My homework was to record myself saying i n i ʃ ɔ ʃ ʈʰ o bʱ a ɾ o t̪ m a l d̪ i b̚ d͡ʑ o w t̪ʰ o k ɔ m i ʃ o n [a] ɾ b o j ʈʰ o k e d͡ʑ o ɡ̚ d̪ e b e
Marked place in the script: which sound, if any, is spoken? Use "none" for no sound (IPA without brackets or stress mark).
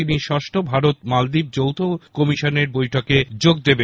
e